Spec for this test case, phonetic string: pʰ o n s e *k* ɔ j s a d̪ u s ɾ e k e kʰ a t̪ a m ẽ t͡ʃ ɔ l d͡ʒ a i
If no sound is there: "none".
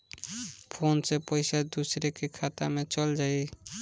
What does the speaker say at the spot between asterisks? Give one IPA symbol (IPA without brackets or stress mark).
p